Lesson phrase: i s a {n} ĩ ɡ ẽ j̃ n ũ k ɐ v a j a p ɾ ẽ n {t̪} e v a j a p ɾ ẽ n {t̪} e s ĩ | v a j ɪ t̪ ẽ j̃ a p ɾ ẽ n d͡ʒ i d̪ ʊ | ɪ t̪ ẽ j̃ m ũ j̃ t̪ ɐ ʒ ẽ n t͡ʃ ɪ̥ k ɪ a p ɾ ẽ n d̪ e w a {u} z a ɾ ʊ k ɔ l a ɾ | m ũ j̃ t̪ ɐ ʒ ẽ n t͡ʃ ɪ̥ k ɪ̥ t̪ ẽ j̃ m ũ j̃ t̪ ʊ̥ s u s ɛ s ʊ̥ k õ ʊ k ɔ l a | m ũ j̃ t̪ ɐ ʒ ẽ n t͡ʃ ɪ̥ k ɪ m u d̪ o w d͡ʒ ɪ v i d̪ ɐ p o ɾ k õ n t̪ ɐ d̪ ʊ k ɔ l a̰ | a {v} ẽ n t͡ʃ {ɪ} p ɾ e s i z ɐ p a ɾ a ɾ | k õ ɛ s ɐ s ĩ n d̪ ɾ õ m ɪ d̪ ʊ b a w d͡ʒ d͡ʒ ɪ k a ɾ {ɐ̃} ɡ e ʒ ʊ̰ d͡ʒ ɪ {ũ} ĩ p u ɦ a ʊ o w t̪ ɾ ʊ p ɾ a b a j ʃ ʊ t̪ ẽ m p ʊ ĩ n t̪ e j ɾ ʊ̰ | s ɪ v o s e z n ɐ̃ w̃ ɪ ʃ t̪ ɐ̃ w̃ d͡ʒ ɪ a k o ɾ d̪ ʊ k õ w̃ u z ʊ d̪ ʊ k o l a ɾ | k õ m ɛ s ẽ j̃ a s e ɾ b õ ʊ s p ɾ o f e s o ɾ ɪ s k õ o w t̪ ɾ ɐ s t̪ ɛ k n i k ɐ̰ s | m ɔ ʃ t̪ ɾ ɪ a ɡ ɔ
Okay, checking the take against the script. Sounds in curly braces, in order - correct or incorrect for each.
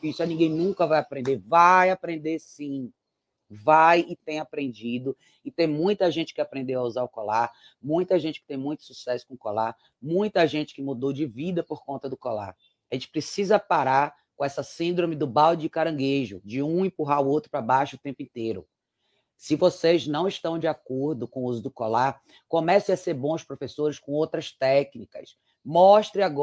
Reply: correct, incorrect: d̪, incorrect: d̪, correct, incorrect: ʒ, correct, correct, correct

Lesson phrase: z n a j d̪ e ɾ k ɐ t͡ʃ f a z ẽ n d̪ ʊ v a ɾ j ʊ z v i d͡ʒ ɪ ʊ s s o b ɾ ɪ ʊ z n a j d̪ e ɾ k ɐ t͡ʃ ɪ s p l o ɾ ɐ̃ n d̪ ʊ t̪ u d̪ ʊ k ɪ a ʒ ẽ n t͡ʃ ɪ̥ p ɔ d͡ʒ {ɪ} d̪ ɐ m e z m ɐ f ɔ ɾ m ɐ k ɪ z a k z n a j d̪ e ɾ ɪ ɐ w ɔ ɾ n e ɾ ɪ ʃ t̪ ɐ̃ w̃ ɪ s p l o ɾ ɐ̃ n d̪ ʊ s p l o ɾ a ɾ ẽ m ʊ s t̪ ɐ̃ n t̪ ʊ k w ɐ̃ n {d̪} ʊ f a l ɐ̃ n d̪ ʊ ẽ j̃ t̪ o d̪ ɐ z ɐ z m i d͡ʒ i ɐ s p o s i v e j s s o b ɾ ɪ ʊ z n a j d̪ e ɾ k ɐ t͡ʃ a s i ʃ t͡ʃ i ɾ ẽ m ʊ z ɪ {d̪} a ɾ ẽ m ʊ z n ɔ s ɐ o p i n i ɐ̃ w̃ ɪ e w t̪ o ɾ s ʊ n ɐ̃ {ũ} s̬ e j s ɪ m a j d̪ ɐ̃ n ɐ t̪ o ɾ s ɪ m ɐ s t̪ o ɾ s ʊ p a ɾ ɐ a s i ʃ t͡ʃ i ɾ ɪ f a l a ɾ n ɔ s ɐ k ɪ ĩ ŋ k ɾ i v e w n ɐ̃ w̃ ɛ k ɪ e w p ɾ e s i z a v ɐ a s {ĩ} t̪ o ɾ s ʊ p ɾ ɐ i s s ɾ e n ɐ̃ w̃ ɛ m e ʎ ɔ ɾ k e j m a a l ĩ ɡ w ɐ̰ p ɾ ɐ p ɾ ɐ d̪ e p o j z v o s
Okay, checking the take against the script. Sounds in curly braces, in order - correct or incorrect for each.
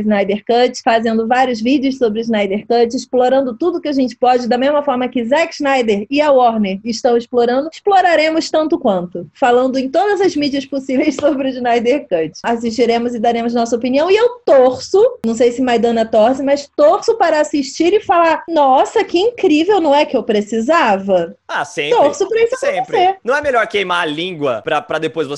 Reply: correct, incorrect: t̪, correct, incorrect: w̃, incorrect: ẽ

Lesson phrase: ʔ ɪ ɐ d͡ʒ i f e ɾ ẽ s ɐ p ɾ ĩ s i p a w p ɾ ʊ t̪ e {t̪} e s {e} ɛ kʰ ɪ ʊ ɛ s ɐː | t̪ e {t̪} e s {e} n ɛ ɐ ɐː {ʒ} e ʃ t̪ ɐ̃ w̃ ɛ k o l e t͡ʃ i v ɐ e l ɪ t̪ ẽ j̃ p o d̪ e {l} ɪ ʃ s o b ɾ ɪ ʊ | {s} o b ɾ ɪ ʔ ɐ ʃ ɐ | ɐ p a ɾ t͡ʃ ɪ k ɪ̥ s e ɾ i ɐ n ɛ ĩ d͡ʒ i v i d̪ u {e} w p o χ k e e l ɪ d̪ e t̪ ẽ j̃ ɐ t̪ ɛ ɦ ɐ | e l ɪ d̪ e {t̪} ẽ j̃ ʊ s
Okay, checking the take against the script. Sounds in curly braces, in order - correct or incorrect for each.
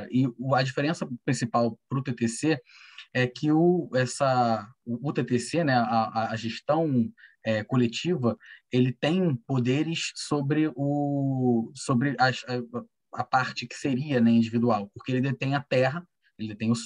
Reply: correct, correct, correct, correct, correct, incorrect: ɾ, correct, incorrect: a, correct

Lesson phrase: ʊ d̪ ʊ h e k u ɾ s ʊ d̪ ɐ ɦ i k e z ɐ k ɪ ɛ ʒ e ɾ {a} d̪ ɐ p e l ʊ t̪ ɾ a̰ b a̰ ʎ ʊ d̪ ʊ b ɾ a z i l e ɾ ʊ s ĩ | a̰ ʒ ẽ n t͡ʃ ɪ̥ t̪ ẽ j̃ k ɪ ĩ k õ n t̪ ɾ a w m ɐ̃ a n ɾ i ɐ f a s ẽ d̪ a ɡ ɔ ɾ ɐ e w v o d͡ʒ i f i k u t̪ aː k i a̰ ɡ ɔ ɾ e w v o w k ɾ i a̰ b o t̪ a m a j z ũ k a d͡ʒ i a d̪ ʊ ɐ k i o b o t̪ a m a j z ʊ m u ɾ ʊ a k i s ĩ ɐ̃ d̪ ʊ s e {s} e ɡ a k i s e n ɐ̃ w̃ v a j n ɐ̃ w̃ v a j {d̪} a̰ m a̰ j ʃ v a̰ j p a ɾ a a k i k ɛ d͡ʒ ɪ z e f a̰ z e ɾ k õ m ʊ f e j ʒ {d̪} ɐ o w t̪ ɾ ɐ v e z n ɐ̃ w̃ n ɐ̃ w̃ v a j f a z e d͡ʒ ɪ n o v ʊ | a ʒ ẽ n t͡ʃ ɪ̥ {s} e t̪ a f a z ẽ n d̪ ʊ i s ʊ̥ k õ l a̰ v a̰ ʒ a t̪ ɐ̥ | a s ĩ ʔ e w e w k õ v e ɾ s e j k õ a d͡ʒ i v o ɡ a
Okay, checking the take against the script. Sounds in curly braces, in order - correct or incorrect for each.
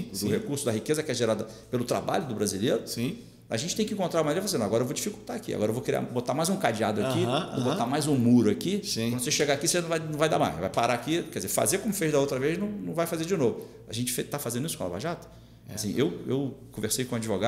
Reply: correct, incorrect: ʃ, correct, correct, incorrect: f

